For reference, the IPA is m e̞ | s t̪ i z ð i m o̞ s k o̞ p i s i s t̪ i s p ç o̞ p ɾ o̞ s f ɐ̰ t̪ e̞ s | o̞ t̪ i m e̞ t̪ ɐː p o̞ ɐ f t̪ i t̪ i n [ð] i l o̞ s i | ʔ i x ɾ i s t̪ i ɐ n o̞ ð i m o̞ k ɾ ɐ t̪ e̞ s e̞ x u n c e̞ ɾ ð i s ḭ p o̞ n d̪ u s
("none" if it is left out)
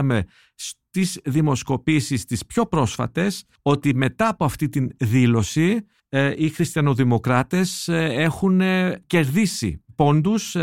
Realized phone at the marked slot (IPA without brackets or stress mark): ð